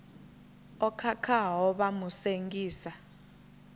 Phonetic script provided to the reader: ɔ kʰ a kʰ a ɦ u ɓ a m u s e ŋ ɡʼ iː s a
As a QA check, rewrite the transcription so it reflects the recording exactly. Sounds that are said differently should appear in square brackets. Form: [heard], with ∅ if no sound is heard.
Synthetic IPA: ɔ kʰ a kʰ a ɦ [ɔ] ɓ a m u s e ŋ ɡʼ iː s a